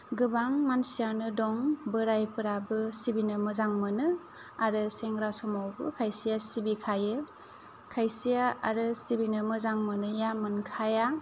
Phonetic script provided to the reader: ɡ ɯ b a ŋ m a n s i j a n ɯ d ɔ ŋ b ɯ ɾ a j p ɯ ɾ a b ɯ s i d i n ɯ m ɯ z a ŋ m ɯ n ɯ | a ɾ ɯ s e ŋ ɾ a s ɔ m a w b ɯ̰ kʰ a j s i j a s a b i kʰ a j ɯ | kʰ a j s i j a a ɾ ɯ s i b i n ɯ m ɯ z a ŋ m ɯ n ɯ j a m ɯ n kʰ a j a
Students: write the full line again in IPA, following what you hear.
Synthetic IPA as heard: ɡ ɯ b a ŋ m a n s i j a n ɯ d ɔ ŋ b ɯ ɾ a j p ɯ ɾ a b ɯ s i b i n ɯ m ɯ z a ŋ m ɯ n ɯ | a ɾ ɯ s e ŋ ɾ a s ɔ m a w b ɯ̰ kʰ a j s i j a s i b i kʰ a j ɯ | kʰ a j s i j a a ɾ ɯ s i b i n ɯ m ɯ z a ŋ m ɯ n ɯ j a m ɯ n kʰ a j a